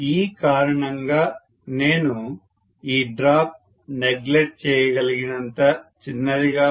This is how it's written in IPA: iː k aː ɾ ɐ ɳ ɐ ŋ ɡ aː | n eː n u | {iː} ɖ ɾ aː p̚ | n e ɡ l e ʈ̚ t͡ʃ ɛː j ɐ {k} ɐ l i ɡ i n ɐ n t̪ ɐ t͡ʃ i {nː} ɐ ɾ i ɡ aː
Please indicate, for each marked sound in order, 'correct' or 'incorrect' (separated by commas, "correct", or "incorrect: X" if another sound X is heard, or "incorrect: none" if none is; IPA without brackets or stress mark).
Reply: correct, incorrect: ɡ, correct